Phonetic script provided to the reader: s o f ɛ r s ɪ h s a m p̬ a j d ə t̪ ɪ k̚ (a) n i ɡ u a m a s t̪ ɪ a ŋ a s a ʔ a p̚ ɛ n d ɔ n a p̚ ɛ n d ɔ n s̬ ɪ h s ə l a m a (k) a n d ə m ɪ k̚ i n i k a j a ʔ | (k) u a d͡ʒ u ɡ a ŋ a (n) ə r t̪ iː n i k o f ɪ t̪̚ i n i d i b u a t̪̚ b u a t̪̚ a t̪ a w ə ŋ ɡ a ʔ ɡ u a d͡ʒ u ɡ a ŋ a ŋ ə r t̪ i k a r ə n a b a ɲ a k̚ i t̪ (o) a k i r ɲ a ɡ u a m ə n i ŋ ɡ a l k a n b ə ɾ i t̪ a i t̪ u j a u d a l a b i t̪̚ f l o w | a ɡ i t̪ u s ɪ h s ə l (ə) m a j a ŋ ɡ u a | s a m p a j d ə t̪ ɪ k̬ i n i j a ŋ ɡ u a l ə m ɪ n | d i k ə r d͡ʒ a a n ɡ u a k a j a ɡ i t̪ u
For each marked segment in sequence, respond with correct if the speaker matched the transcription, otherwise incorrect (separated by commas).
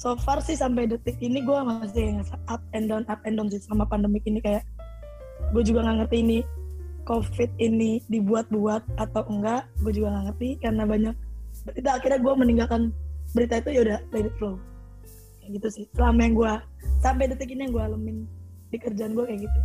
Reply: incorrect, incorrect, incorrect, incorrect, incorrect, incorrect